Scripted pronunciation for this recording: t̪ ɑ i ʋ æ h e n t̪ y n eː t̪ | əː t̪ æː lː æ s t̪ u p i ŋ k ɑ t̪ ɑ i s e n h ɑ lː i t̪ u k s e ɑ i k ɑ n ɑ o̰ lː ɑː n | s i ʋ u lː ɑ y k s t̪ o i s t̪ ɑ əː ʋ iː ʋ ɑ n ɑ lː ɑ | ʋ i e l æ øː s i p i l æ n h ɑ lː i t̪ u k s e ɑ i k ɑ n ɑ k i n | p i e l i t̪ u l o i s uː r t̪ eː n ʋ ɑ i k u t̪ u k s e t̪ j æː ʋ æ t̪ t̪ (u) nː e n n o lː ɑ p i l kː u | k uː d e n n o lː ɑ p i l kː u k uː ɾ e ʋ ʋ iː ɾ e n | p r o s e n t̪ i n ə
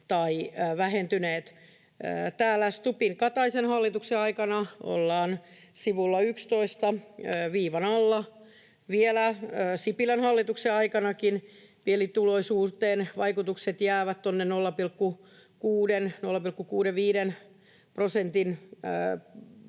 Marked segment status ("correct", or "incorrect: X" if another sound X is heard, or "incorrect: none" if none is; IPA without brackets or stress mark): incorrect: o